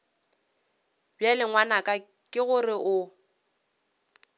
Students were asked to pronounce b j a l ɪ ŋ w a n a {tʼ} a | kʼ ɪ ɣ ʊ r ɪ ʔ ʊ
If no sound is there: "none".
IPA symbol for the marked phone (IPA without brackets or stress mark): kʼ